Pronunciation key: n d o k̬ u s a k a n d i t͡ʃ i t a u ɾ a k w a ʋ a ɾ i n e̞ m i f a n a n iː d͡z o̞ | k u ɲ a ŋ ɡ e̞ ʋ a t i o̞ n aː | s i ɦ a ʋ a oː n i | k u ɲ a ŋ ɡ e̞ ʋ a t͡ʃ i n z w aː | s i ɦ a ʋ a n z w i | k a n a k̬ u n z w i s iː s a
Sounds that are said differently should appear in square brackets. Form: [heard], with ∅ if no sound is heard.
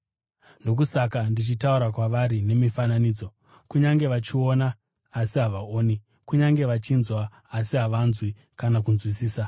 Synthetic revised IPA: n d o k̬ u s a k a n d i t͡ʃ i t a u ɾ a k w a ʋ a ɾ i n e̞ m i f a n a n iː d͡z o̞ | k u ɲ a ŋ ɡ e̞ ʋ a [t͡ʃ] i o̞ n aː | s i ɦ a ʋ a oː n i | k u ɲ a ŋ ɡ e̞ ʋ a t͡ʃ i n z w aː | s i ɦ a ʋ a n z w i | k a n a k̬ u n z w i s iː s a